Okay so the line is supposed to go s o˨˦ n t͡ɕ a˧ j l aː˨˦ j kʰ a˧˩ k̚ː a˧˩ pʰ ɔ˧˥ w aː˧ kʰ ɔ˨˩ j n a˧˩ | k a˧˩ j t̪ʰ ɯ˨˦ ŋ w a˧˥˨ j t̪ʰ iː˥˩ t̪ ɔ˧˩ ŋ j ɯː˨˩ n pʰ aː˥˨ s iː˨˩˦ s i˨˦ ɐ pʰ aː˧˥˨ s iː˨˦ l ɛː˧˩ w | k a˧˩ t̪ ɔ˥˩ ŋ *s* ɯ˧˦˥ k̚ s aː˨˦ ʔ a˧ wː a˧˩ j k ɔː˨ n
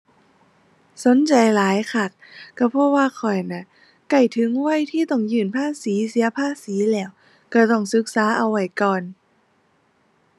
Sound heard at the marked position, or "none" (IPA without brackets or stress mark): s